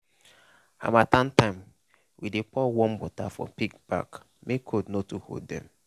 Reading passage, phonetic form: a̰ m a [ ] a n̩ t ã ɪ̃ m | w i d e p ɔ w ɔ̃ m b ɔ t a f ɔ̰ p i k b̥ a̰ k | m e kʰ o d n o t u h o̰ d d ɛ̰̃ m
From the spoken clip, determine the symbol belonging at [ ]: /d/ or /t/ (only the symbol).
t